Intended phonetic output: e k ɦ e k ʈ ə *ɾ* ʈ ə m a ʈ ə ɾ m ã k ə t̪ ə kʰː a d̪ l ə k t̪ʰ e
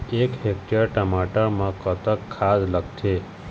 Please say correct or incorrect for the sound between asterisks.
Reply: correct